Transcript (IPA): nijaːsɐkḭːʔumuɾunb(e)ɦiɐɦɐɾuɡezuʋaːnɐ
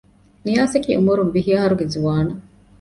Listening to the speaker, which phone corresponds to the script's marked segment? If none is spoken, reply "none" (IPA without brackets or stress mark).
i